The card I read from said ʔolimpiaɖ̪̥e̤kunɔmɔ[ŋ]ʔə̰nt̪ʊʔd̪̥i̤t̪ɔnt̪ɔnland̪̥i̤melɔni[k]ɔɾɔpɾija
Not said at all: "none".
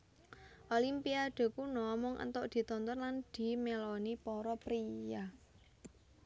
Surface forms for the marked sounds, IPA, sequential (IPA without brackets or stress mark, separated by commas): ŋ, p